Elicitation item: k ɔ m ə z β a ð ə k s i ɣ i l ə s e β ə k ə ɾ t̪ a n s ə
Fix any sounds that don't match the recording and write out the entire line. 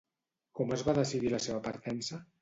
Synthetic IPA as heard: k ɔ m ə z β a ð ə s i ð i l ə s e β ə p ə ɾ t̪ ɛ n s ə